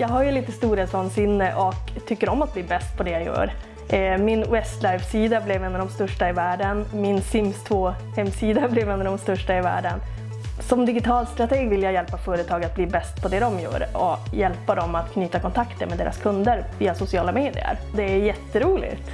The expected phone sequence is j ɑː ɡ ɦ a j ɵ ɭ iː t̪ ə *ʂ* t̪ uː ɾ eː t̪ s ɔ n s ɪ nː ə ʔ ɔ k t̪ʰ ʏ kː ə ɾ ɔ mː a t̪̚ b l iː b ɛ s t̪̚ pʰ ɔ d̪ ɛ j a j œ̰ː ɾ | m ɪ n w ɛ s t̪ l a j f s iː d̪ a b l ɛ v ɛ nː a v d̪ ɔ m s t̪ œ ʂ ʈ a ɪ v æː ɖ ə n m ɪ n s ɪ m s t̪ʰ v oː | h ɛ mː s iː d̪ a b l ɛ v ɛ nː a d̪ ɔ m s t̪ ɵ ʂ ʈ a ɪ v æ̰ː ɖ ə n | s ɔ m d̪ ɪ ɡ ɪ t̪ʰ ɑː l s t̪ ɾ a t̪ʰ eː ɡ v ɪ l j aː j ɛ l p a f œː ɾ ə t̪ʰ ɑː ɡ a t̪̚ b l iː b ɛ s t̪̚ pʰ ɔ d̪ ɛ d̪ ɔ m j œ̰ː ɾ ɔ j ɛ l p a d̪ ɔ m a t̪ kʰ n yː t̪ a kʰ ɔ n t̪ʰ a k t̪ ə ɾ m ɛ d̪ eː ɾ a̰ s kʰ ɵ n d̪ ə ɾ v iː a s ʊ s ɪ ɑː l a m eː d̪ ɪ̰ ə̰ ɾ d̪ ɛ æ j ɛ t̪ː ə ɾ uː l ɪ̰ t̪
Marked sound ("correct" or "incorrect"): incorrect